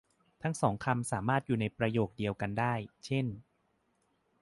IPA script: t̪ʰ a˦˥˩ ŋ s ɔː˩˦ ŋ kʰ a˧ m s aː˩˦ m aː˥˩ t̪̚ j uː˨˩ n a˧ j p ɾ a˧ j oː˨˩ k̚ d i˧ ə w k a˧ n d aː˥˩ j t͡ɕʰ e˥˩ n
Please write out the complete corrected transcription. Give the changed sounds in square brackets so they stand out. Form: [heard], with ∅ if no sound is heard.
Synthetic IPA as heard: t̪ʰ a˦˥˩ ŋ s ɔː˩˦ ŋ kʰ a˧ m s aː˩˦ m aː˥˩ t̪̚ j uː˨˩ n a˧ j p ɾ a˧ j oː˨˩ k̚ d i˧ ə w k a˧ n d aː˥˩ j t͡ɕʰ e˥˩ n